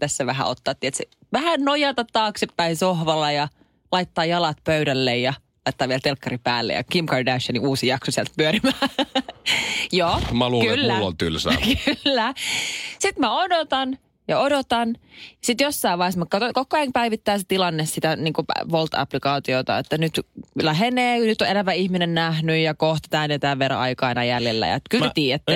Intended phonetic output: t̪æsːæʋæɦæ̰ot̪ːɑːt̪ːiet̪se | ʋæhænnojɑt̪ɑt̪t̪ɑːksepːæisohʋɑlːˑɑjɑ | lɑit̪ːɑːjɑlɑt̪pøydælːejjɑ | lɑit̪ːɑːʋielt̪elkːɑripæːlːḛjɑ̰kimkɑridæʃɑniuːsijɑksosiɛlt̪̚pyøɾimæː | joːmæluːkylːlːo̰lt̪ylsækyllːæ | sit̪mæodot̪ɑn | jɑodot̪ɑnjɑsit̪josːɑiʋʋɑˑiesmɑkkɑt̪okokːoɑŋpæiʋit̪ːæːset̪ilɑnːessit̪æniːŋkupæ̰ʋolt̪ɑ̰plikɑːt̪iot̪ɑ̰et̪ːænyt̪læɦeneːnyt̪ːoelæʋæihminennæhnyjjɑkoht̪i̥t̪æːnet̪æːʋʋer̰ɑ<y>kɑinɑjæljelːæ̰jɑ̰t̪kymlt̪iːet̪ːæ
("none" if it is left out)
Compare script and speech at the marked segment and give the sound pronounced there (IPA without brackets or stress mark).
i